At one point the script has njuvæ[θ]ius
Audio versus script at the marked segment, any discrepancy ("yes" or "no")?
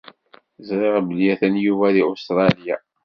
yes